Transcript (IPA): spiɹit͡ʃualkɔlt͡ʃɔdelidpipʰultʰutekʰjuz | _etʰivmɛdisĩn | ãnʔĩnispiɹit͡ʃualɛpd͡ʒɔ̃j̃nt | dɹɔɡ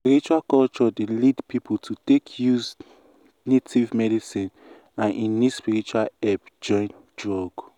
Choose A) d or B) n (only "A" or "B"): B